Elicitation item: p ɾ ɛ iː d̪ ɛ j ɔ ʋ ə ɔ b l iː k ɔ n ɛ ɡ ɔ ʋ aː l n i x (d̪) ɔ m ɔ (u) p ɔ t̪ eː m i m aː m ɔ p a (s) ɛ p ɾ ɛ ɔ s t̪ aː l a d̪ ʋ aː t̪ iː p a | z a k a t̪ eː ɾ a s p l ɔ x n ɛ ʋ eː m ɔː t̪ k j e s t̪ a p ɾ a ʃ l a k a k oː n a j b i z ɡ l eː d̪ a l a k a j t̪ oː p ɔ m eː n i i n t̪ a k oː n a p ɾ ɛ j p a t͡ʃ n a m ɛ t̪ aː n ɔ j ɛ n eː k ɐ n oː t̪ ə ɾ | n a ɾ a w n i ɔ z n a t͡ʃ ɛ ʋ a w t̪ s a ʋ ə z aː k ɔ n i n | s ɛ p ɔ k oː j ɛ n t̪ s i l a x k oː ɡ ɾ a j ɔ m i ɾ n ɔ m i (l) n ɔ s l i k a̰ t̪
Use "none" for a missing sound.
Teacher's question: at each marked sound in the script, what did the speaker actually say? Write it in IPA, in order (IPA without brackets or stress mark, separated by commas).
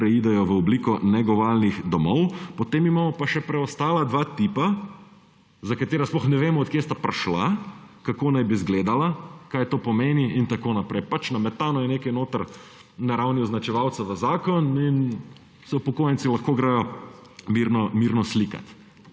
d̪, w, ʃ, ɾ